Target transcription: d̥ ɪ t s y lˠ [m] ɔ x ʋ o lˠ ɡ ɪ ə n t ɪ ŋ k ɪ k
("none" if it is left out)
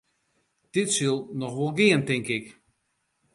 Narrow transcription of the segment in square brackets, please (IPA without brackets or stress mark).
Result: n